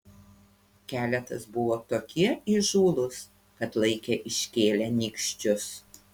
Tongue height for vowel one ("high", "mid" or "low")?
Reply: low